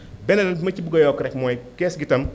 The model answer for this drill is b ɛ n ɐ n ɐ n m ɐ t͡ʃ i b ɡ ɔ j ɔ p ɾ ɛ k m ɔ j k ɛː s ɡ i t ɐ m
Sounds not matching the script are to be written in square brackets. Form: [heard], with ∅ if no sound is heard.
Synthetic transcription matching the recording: b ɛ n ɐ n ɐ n m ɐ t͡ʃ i b ɡ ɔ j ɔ [k] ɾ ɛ k m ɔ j k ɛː s ɡ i t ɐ m